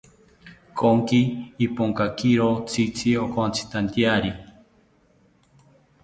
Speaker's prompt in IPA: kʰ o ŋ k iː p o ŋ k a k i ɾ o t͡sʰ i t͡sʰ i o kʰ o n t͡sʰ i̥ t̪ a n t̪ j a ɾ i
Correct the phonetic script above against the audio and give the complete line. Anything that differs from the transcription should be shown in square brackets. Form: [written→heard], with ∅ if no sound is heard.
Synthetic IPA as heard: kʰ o ŋ k iː p o ŋ k a k i ɾ o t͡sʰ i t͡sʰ i o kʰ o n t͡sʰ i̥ t̪ a n t̪ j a ɾ i